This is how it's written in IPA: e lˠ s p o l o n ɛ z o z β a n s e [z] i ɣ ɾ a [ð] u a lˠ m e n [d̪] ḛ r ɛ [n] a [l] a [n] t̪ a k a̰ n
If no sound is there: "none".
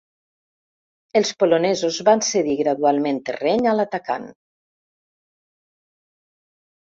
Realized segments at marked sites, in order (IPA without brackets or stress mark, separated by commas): ð, ð, t̪, ɲ, l, none